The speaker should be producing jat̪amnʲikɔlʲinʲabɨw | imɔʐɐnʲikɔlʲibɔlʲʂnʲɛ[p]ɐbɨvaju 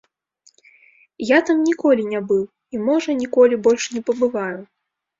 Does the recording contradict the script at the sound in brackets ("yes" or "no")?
no